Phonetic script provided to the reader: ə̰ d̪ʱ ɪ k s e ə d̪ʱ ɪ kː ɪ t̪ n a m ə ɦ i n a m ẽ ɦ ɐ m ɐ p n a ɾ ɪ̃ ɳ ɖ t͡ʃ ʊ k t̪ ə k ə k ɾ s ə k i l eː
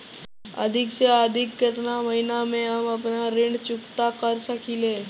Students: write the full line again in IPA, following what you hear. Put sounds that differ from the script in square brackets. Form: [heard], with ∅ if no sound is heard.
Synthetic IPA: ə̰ d̪ʱ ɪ k s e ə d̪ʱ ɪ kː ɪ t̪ n a m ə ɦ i n a m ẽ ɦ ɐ m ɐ p n a ɾ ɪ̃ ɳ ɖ t͡ʃ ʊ k t̪ [a] k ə [∅] ɾ s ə k i l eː